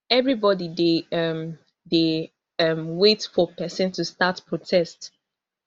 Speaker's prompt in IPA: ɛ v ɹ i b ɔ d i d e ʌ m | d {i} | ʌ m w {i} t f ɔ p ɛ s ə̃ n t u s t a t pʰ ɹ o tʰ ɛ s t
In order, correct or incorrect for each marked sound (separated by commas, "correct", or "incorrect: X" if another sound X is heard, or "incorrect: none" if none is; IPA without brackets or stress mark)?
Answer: incorrect: e, incorrect: e